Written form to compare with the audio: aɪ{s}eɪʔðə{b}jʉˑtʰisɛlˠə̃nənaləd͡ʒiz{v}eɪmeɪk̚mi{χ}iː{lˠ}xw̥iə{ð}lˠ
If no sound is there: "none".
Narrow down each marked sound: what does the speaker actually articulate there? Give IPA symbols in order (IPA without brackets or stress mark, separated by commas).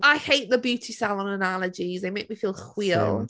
h, b, ð, f, lˠ, none